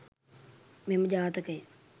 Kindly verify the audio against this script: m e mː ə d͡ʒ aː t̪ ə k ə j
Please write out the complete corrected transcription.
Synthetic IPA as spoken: m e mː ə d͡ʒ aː t̪ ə k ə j